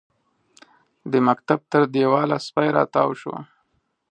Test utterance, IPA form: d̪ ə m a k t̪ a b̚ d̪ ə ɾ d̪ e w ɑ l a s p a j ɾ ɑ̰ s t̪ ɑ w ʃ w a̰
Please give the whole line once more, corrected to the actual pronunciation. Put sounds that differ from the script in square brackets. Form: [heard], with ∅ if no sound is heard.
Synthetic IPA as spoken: d̪ ə m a k t̪ a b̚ [t̪] ə ɾ d̪ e w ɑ l a s p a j ɾ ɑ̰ [∅] t̪ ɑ w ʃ w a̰